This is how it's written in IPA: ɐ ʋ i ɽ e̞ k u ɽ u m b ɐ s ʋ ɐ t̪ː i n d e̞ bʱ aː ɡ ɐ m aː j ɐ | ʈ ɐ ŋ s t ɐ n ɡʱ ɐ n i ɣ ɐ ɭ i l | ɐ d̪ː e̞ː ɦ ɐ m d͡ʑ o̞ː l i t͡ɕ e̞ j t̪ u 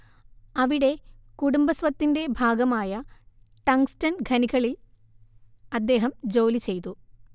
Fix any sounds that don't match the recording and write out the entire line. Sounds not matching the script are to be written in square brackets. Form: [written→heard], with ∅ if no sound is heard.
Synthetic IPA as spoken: ɐ ʋ i ɽ e̞ k u ɽ u m b ɐ s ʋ ɐ t̪ː i n d e̞ bʱ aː ɡ ɐ m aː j ɐ | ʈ ɐ ŋ s t ɐ n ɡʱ ɐ n i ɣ ɐ ɭ i l | ɐ d̪ː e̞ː ɦ ɐ m d͡ʑ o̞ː l i t͡ɕ e̞ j t̪ u